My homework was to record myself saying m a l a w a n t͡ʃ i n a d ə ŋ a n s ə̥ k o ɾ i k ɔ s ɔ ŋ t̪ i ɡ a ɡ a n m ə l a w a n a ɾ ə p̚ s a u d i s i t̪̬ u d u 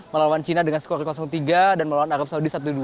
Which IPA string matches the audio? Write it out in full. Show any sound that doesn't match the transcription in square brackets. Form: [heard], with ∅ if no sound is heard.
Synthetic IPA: m [ə] l a w a n t͡ʃ i n a d ə ŋ a n s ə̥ k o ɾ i k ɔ s ɔ ŋ t̪ i ɡ a [d] a n m ə l a w a n a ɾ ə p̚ s a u d i s [a] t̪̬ u d u